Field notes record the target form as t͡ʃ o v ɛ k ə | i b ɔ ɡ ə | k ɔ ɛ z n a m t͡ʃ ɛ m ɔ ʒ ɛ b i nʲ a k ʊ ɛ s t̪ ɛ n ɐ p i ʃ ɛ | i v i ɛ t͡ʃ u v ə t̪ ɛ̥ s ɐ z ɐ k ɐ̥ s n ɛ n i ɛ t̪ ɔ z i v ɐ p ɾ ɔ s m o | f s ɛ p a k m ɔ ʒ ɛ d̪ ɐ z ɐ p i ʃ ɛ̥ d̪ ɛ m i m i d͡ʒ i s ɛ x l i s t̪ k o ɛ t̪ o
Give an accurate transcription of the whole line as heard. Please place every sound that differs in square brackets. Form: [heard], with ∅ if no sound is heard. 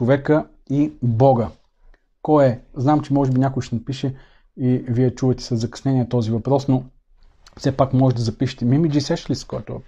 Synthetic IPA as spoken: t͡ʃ o v ɛ k ə | i b ɔ ɡ ə | k ɔ ɛ z n a m t͡ʃ ɛ m ɔ ʒ ɛ b i nʲ a k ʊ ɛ [ʃ] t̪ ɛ n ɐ p i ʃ ɛ | i v i ɛ t͡ʃ u v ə t̪ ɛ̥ s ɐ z ɐ k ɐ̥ s n ɛ n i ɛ t̪ ɔ z i v ɐ p ɾ ɔ s [n] o | f s ɛ p a k m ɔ ʒ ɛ d̪ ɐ z ɐ p i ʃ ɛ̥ [t̪] ɛ m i m i d͡ʒ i s ɛ [ʃ] l i s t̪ k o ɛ t̪ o